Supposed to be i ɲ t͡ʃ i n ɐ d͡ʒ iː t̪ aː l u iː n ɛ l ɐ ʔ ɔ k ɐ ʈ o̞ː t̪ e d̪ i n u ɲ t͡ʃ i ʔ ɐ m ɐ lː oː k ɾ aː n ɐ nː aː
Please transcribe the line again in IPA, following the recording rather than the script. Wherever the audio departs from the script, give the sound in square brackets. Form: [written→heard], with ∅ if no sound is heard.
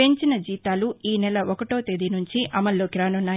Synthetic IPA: [i→e] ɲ t͡ʃ i n ɐ d͡ʒ iː t̪ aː l u iː n ɛ l ɐ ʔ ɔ k ɐ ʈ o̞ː t̪ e d̪ i n u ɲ t͡ʃ i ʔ ɐ m ɐ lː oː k ɾ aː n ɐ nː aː